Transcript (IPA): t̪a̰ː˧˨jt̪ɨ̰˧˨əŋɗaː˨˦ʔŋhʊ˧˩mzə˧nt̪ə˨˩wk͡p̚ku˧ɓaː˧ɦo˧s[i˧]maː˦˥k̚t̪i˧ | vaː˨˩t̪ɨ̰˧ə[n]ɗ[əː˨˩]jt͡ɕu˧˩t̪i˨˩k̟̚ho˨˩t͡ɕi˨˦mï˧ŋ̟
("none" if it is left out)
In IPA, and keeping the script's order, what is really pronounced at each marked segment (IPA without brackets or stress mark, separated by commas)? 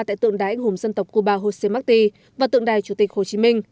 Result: e˧, ŋ, aː˨˩